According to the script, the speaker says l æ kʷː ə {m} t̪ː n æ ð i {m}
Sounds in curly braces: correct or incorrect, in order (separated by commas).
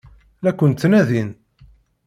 incorrect, incorrect